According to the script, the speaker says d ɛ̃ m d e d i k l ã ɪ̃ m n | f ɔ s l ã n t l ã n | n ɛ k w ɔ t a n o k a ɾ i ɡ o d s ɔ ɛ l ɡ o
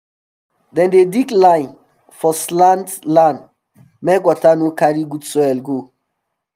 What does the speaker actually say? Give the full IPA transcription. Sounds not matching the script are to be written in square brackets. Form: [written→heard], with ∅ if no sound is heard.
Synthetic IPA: d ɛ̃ [m→n] d e d i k l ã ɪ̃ [m→∅] n | f ɔ s l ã n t l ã n | [n→m] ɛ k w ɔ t a n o k a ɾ i ɡ [o→u] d s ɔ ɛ l ɡ o

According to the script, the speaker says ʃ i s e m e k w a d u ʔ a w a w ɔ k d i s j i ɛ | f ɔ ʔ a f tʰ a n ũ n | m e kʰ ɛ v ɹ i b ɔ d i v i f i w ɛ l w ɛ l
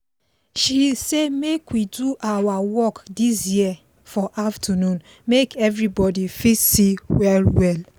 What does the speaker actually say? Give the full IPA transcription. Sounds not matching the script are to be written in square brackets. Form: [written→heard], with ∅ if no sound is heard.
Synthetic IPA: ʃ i s e m e k w [a→i] d u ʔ a w a w ɔ k d i s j i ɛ | f ɔ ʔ a f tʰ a n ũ n | m e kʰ ɛ v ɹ i b ɔ d i [v→f] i [f→s] i w ɛ l w ɛ l

